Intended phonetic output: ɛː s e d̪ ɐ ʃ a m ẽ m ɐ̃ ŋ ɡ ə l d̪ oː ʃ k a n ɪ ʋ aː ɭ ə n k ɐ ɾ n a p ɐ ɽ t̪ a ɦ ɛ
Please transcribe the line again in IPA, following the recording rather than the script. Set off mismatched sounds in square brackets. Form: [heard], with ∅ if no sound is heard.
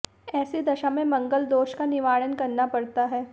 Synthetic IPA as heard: ɛː s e d̪ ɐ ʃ a m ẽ m ɐ̃ ŋ ɡ ə l d̪ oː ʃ k a n ɪ ʋ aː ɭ ə n k ɐ ɾ n a p ɐ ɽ t̪ a ɦ [ɛː]

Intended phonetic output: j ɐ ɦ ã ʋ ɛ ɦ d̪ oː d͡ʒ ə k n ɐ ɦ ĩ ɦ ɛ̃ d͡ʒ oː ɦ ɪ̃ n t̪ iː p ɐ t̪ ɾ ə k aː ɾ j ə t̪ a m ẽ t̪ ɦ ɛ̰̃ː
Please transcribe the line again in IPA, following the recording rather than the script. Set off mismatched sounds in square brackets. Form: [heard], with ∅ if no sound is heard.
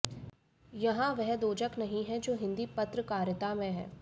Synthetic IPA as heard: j ɐ ɦ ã ʋ ɛ ɦ d̪ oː d͡ʒ ə k n ɐ ɦ ĩ ɦ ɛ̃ d͡ʒ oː ɦ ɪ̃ n [d̪] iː p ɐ t̪ ɾ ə k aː ɾ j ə t̪ a m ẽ [∅] ɦ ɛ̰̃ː

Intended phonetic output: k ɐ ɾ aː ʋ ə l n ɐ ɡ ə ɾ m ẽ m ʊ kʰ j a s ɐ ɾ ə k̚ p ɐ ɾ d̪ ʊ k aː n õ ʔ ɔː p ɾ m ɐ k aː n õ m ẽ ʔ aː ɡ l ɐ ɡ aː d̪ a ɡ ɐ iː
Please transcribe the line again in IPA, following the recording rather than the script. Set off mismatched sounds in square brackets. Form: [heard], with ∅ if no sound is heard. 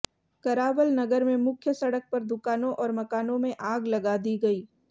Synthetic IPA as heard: k ɐ ɾ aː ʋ ə l n ɐ ɡ ə ɾ m ẽ m ʊ kʰ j [ə] s ɐ [ɽ] ə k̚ p ɐ ɾ d̪ ʊ k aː n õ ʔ ɔː [∅] ɾ m ɐ k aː n õ m ẽ ʔ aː ɡ l ɐ ɡ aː d̪ [i] ɡ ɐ iː

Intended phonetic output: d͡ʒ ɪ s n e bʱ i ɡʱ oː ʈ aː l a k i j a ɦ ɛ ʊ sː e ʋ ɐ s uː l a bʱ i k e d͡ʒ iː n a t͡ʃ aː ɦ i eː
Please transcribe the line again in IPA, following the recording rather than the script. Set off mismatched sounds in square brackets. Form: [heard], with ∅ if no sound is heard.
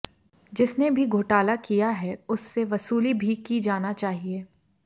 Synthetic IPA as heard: d͡ʒ ɪ s n e bʱ i ɡʱ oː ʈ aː l a k i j a ɦ ɛ ʊ sː e ʋ ɐ s uː l [i] bʱ i k [i] d͡ʒ [aː] n a t͡ʃ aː ɦ i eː

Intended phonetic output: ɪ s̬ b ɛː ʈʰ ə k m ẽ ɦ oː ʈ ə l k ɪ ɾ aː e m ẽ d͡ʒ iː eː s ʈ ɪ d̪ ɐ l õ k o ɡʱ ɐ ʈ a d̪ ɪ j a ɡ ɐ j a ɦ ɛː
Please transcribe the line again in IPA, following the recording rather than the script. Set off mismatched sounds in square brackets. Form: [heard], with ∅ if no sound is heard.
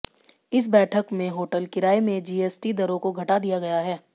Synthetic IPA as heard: ɪ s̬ b ɛː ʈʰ ə k m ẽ ɦ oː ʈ ə l k ɪ ɾ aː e m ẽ d͡ʒ iː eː s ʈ [i] d̪ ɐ [ɾ] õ k o ɡʱ ɐ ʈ a d̪ [i] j a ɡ ɐ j a ɦ ɛː

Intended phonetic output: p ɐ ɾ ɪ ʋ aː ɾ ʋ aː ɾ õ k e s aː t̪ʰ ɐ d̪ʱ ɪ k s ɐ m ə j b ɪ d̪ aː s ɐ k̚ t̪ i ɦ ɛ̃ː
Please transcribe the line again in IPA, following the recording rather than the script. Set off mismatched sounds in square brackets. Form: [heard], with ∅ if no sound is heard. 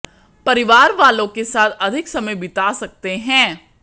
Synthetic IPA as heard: p ɐ ɾ ɪ ʋ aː ɾ ʋ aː [l] õ k e s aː t̪ʰ ɐ d̪ʱ ɪ k s ɐ m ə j b ɪ [t̪] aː s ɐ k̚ t̪ [e] ɦ ɛ̃ː

